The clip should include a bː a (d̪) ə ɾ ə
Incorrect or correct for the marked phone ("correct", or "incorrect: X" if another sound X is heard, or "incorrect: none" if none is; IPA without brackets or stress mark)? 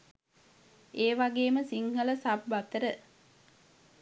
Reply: incorrect: t̪